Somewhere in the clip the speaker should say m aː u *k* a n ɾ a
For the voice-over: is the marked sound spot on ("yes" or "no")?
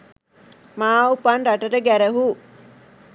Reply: no